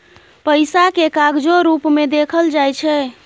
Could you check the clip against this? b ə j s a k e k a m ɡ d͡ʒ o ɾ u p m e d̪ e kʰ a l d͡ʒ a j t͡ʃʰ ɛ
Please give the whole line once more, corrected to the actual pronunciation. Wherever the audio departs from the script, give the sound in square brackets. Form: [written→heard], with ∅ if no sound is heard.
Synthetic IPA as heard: [b→p] ə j s a k e k a [m→∅] ɡ d͡ʒ o ɾ u p m e d̪ e kʰ [a→ə] l d͡ʒ a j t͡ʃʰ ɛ